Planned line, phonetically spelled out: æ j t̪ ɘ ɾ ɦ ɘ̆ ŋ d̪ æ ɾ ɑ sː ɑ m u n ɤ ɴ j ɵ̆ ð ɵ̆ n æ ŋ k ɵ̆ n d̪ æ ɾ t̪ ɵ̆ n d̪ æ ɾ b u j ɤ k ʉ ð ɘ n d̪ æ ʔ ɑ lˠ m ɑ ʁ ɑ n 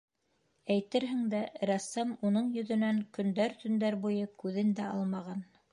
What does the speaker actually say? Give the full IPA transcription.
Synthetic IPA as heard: æ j t̪ ɘ ɾ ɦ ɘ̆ ŋ d̪ æ ɾ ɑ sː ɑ m u n ɤ ɴ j ɵ̆ ð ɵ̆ n æ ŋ k ɵ̆ n d̪ æ ɾ t̪ ɵ̆ n d̪ æ ɾ b u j ɤ k ʉ ð ɘ n d̪ æ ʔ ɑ lˠ m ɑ ʁ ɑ n